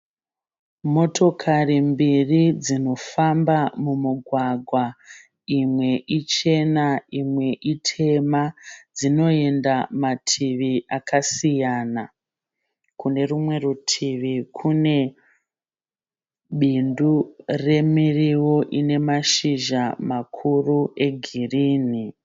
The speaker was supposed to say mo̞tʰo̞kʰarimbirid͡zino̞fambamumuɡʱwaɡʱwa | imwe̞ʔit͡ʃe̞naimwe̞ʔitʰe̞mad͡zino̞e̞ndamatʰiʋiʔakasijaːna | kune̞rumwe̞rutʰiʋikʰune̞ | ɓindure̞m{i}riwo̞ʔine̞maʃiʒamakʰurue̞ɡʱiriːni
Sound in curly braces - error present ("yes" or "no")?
no